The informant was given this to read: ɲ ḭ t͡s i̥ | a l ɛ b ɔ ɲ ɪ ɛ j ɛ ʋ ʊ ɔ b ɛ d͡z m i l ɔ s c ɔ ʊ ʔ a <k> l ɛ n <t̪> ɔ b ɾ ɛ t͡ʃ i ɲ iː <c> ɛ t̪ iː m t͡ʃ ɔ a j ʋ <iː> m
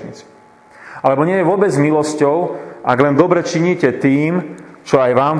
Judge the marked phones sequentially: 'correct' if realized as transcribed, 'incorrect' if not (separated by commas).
incorrect, incorrect, correct, incorrect